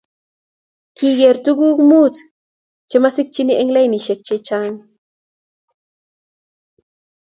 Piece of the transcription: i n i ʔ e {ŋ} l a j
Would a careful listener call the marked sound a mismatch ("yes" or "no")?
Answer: no